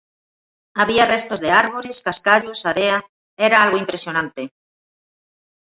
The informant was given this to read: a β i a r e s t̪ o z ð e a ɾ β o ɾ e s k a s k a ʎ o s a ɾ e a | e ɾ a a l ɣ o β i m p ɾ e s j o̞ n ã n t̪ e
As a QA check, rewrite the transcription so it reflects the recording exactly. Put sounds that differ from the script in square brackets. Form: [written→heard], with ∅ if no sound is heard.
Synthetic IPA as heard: a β i a r e s t̪ o z ð e a ɾ β o ɾ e s k a s k a ʎ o s a ɾ e a | e ɾ a a l ɣ o [β→∅] i m p ɾ e s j o̞ n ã n t̪ e